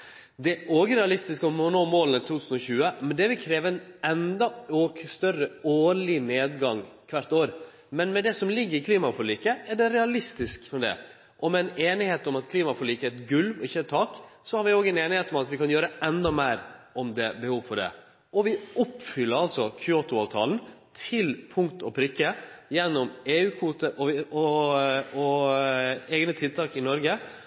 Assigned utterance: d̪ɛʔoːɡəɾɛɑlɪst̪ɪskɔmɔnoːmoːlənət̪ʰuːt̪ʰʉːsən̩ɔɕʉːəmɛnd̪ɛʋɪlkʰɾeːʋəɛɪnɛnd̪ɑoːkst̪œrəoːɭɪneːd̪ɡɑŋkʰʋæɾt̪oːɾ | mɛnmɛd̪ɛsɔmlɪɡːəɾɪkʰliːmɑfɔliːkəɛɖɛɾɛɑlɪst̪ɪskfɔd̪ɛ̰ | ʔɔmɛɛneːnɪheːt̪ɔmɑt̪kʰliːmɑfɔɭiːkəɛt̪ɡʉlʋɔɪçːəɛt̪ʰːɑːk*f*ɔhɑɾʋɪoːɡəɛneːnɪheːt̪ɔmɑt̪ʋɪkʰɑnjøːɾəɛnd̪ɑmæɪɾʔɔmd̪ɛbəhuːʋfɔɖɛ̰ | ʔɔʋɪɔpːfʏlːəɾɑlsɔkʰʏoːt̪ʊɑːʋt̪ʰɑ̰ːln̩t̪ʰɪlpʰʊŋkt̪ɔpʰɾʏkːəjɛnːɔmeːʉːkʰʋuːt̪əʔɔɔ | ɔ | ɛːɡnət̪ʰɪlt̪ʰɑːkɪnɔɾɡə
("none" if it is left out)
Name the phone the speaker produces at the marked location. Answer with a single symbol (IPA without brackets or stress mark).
s